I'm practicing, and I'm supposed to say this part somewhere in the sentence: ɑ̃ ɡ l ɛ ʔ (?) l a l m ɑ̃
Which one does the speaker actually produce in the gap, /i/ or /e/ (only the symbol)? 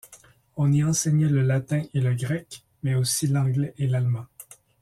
e